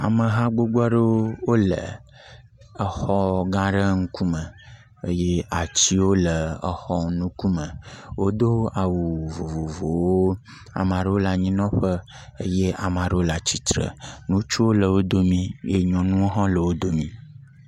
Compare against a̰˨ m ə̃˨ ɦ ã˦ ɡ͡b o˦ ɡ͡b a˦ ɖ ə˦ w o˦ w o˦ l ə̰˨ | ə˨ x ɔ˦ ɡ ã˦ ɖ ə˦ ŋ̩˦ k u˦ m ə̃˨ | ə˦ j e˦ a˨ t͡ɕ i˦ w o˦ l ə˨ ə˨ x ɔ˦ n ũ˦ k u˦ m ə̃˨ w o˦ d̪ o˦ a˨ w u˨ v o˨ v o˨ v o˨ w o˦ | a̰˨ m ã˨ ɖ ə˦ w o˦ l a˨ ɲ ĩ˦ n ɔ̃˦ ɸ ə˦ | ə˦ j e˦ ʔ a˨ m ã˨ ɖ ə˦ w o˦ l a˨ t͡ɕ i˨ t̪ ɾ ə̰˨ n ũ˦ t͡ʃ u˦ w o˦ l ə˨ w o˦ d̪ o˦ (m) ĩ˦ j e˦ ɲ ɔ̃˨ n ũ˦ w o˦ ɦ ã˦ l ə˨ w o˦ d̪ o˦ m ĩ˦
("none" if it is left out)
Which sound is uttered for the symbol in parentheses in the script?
m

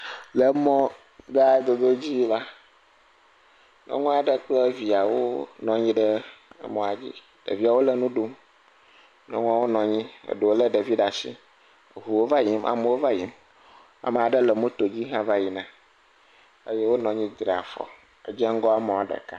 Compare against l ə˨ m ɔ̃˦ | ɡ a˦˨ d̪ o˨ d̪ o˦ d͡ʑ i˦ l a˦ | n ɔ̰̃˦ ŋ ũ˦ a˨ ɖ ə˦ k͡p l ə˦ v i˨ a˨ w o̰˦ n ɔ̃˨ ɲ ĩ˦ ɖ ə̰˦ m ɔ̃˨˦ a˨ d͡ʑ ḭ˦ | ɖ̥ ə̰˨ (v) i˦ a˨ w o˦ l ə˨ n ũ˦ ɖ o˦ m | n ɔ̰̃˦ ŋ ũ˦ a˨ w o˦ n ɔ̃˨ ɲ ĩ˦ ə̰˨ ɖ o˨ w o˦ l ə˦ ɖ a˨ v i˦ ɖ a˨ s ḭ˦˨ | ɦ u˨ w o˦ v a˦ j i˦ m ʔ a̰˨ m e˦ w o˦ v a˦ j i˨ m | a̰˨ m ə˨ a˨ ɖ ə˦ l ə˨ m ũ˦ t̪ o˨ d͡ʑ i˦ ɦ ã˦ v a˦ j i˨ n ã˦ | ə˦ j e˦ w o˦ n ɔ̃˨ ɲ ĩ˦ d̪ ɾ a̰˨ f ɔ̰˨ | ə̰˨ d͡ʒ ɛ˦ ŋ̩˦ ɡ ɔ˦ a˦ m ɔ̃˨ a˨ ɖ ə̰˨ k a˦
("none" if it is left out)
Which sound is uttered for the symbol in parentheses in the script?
v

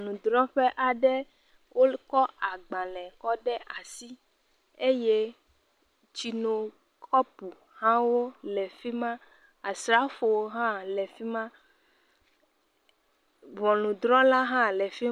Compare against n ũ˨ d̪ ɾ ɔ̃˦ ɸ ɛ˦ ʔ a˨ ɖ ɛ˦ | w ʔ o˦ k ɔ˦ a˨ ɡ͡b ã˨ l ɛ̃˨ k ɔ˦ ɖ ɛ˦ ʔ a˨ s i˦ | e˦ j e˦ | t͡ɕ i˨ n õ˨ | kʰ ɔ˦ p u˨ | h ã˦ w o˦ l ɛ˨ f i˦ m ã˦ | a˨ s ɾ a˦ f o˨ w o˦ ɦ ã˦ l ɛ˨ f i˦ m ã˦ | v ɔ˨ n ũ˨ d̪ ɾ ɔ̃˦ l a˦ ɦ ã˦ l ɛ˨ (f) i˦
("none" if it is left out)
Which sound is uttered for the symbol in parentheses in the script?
f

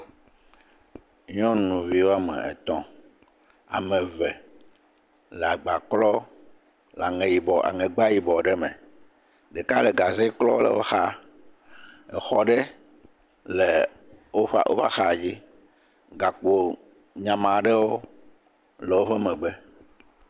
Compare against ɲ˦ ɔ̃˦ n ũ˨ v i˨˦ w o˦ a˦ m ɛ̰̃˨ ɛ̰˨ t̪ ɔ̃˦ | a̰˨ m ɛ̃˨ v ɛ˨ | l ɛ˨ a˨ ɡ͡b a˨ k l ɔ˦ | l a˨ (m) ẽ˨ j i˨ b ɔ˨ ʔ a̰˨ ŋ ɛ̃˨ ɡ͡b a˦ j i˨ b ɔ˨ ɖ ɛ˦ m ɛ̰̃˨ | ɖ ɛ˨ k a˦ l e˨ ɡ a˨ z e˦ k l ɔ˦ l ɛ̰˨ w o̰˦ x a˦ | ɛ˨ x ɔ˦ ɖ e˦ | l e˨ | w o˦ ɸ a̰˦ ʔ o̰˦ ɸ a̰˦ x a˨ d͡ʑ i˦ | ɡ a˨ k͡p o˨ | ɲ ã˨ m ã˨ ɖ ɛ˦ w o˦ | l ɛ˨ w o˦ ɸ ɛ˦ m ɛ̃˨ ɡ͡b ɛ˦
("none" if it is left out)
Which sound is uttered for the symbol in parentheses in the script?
ŋ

